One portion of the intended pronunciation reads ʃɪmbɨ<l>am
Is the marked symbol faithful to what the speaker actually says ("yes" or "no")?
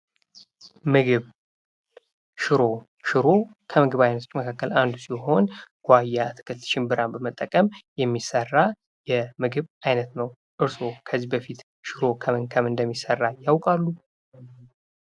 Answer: no